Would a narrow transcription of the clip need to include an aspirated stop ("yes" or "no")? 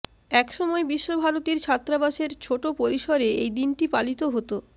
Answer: yes